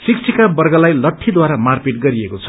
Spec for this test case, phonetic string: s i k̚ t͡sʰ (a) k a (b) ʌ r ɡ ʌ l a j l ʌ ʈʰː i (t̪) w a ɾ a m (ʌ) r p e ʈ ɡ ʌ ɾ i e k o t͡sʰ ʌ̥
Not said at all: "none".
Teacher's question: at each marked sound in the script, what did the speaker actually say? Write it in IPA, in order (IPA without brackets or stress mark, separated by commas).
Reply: i, b, d̪, a